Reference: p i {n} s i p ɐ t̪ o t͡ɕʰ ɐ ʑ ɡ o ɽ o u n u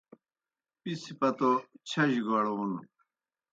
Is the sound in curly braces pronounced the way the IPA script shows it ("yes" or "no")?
no